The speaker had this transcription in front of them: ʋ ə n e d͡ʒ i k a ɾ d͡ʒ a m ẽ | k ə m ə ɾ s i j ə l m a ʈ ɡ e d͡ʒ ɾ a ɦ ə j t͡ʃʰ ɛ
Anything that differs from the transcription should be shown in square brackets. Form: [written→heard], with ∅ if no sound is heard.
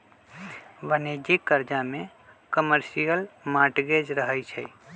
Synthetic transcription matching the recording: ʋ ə n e d͡ʒ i k [a→ə] ɾ d͡ʒ a m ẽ | k ə m ə ɾ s i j ə l m a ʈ ɡ e d͡ʒ ɾ [a→ə] ɦ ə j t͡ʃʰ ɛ